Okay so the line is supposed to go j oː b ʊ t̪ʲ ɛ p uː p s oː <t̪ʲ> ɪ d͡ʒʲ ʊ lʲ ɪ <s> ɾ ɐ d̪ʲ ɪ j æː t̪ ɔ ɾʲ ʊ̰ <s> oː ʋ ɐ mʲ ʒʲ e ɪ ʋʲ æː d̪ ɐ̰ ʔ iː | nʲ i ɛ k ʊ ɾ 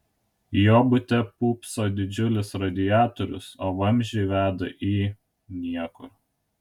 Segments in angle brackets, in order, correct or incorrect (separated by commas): incorrect, correct, correct